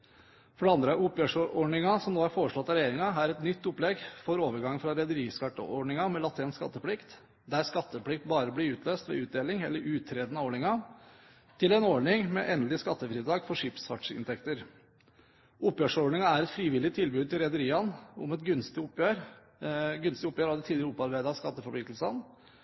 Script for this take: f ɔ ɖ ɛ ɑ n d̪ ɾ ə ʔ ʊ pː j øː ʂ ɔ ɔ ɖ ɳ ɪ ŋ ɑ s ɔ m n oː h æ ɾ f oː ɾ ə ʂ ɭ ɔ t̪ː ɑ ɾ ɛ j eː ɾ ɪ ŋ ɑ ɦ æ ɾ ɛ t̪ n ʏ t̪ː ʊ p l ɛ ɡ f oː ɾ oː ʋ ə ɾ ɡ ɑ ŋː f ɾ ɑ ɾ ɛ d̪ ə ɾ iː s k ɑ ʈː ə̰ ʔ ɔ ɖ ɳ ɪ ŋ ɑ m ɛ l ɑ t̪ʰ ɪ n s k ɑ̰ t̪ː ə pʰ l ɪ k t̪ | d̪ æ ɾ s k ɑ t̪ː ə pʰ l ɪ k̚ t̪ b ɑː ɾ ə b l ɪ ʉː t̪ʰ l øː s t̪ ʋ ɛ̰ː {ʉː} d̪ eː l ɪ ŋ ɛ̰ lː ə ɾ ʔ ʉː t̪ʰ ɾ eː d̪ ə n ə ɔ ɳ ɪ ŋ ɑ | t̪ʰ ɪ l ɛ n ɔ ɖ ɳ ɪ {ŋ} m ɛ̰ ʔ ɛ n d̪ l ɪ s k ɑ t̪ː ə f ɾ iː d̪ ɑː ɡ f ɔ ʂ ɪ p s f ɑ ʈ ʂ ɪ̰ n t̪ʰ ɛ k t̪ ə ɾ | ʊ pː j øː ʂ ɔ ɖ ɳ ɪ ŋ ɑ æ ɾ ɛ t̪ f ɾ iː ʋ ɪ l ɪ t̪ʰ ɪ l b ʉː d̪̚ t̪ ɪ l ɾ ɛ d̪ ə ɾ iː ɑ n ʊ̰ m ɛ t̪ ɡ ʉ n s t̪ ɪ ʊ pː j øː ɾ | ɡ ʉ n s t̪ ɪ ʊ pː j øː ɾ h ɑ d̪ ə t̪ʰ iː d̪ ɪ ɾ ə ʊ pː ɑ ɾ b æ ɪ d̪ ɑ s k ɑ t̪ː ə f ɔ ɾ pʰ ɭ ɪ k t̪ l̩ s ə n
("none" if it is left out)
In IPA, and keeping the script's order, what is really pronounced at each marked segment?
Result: ʉː, ŋ

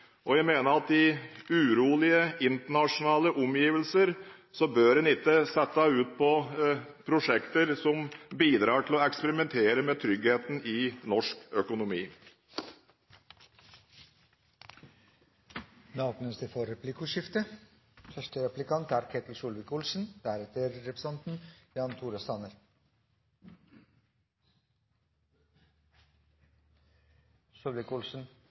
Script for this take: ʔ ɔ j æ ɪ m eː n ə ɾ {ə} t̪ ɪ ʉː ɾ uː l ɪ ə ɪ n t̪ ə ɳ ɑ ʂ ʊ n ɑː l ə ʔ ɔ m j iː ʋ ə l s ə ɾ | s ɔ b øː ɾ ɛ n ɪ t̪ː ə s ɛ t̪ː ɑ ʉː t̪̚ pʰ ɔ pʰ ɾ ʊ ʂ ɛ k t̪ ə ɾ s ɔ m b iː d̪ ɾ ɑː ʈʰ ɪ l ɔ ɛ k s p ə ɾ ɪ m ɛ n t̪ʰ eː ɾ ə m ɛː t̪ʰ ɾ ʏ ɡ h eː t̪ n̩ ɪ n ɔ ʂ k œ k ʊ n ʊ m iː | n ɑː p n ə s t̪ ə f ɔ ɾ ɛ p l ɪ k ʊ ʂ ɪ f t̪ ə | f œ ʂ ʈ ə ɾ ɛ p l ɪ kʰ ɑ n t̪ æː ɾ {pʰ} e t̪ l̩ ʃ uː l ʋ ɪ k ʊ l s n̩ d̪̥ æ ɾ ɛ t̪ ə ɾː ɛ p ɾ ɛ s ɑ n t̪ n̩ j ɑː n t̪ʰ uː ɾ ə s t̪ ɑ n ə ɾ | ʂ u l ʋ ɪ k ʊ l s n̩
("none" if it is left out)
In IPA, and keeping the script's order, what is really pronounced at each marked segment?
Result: ɑ, kʰ

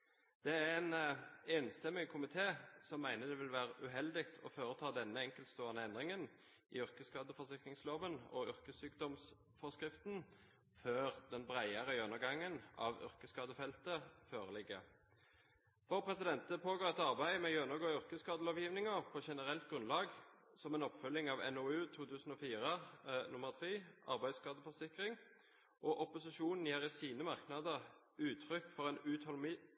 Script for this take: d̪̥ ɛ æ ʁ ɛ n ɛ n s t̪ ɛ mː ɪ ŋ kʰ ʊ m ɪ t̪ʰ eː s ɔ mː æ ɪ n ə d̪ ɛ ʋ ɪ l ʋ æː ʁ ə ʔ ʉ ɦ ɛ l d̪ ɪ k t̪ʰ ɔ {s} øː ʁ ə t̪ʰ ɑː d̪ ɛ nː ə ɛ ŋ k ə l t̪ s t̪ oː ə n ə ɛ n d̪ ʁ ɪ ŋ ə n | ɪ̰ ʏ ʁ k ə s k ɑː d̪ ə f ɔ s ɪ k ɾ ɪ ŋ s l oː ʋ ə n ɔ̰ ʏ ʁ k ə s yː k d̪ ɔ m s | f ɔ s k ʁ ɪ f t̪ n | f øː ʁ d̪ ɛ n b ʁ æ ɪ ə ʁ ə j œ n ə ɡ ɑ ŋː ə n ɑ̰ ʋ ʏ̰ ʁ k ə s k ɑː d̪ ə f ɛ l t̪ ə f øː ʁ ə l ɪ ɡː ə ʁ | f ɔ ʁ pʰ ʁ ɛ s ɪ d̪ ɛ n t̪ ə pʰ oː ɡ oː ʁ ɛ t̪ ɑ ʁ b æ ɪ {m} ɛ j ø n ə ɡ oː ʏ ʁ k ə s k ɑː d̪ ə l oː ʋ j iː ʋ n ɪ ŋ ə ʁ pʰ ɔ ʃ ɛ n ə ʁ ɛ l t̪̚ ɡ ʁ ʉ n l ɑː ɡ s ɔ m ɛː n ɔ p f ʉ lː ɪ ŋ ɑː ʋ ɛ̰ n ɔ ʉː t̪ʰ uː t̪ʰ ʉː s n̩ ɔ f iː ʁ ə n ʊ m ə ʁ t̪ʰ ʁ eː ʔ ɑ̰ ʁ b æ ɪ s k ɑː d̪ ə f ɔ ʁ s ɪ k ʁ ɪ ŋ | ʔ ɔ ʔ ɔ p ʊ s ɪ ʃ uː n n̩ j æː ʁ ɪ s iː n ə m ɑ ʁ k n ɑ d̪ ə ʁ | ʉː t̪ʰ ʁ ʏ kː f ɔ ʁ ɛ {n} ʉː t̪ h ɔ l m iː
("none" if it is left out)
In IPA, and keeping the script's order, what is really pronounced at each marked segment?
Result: f, m, n

